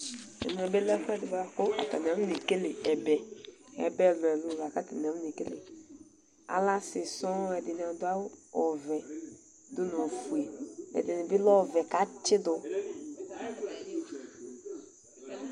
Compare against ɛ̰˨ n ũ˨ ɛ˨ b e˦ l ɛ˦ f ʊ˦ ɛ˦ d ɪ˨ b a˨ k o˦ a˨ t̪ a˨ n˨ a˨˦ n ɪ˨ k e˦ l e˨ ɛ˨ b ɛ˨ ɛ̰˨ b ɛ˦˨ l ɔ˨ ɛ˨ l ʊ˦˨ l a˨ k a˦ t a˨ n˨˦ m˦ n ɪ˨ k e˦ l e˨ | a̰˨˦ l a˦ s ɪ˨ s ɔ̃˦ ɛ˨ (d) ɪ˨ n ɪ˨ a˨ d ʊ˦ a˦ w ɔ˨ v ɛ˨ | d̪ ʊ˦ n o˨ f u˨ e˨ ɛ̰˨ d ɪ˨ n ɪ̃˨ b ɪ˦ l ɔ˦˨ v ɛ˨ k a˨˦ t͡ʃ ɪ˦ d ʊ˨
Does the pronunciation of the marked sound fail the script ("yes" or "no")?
no